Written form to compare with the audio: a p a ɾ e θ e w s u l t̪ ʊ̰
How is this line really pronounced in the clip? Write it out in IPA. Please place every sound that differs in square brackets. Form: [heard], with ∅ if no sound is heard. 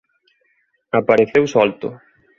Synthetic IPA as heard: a p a ɾ e θ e w s [ɔ] l t̪ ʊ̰